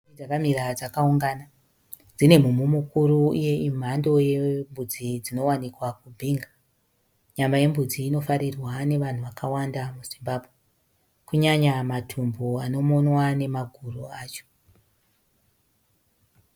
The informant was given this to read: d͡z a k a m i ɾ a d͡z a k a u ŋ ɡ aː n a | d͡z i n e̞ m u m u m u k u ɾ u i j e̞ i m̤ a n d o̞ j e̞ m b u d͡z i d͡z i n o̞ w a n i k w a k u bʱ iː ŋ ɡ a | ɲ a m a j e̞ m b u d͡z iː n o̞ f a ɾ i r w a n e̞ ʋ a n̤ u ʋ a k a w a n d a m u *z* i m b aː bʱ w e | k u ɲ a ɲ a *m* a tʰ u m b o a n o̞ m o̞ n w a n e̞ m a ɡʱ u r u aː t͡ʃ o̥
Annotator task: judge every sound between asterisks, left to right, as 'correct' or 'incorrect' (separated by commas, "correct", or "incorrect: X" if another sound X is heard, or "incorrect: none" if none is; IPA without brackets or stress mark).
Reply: correct, correct